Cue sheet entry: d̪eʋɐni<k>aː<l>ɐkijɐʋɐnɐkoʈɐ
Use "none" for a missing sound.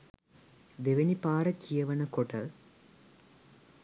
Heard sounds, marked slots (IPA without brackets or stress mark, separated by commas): p, ɾ